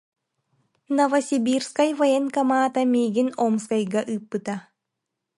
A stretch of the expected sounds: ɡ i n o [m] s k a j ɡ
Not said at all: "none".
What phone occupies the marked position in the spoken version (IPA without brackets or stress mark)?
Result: m